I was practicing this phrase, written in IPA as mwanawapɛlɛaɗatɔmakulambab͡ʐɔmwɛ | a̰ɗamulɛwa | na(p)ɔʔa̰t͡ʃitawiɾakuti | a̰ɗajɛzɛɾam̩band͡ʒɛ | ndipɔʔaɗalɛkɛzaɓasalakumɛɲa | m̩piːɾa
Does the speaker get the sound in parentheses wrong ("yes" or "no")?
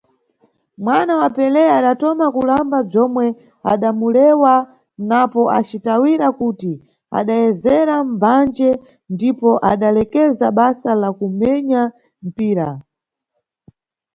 no